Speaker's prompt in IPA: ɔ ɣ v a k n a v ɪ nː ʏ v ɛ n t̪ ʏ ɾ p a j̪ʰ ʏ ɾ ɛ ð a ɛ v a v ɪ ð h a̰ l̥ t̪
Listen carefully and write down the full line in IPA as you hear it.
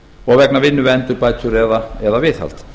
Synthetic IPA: ɔ ɣ v ɛ k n a v ɪ nː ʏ v ɛ n t̪ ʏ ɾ p a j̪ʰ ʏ ɾ ɛ ð a ɛ ð a v ɪ θ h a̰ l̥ t̪